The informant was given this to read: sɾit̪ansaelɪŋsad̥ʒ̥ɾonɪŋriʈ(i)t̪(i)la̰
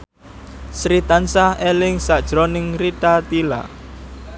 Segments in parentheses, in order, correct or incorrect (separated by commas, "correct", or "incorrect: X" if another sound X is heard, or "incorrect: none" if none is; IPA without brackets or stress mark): incorrect: a, correct